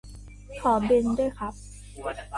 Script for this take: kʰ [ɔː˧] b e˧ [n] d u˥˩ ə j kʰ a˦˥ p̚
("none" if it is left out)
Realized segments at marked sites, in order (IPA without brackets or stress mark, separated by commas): ɔː˩˦, n